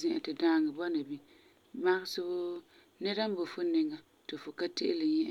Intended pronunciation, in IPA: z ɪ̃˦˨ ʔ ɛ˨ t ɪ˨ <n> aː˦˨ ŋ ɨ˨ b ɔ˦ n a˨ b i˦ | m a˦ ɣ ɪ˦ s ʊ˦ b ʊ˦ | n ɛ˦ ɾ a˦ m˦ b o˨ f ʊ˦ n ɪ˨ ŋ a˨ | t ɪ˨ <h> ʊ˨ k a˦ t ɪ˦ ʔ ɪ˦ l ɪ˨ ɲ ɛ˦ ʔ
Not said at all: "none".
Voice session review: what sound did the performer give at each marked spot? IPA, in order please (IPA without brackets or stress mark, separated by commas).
d, f